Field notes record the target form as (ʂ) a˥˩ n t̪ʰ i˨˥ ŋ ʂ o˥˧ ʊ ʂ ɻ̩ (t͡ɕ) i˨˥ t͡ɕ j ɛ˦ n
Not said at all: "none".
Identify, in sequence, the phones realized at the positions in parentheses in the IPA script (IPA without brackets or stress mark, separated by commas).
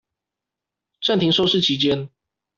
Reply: ʈ͡ʂ, t͡ɕʰ